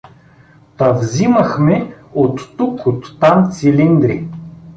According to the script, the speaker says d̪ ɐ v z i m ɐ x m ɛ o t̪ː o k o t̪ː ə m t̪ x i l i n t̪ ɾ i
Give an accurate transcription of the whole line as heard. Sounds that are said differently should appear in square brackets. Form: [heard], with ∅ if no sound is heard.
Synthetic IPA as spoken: [t̪] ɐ v z i m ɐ x m ɛ o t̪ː [u] k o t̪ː [a] m t̪ [s] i l i n [d̪] ɾ i